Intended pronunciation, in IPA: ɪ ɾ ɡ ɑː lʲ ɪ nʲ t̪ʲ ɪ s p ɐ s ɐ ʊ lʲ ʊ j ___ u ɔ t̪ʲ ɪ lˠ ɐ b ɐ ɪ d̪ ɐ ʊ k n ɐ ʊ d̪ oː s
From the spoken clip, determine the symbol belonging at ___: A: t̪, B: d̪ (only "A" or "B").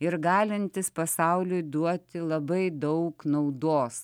B